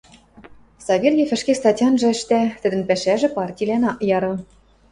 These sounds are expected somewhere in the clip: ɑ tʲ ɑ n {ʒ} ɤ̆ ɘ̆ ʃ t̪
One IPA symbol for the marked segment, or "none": ʒ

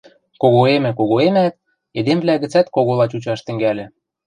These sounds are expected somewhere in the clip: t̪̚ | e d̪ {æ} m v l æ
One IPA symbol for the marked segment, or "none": e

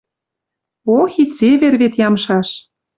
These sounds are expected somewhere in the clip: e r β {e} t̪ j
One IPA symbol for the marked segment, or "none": e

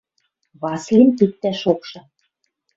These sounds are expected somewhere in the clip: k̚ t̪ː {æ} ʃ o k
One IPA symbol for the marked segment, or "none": æ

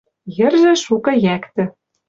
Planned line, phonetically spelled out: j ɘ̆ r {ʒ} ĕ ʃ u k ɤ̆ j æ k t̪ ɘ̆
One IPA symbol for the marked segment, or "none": ʒ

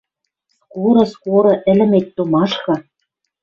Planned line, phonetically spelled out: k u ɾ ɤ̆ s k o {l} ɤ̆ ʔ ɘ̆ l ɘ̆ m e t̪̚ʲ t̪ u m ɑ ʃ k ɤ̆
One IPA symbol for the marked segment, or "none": ɾ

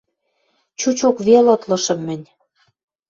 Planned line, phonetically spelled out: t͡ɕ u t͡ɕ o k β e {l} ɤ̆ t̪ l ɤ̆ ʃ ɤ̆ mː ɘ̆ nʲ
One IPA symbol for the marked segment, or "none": l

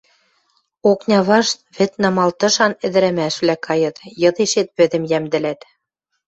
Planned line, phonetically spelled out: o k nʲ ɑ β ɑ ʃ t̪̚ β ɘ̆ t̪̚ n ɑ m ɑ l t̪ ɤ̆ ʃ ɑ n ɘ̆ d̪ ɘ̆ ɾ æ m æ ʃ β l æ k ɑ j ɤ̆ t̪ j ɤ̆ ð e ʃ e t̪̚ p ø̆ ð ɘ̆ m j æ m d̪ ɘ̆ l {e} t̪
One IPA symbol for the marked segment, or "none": æ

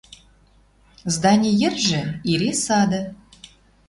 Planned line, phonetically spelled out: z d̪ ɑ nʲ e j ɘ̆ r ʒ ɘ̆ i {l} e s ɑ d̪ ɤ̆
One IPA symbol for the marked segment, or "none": ɾ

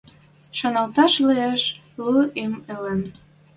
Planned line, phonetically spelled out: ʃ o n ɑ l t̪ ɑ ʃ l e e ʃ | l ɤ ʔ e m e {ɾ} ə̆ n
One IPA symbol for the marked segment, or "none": l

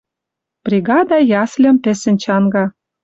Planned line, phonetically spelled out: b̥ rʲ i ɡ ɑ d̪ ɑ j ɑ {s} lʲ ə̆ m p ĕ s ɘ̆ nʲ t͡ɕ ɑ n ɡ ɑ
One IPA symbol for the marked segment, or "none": s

